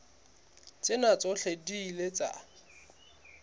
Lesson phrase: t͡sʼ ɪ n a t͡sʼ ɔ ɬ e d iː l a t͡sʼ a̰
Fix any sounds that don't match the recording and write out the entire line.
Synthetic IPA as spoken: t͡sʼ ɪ n a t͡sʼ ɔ ɬ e d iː l e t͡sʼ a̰